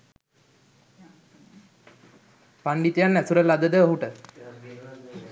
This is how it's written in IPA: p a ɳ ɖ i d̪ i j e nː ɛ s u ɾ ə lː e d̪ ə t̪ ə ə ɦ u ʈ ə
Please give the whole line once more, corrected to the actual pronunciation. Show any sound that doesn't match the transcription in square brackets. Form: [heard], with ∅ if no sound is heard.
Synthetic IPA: p a ɳ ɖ i [t̪] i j [a] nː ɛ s u ɾ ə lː [a] d̪ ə [d̪] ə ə ɦ u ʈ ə

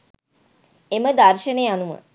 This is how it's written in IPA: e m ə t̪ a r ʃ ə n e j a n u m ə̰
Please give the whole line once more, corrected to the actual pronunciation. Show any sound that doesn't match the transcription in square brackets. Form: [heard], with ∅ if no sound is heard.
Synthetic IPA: e m ə [d̪] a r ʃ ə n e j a n u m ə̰

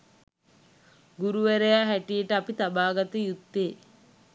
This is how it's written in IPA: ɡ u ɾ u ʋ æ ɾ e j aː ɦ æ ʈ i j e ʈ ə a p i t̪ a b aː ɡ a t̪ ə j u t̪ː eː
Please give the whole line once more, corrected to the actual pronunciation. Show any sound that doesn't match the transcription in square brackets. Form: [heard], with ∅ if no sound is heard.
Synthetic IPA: ɡ u ɾ u ʋ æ ɾ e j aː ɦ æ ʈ i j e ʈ ə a p i t̪ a b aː ɡ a t̪ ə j u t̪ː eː

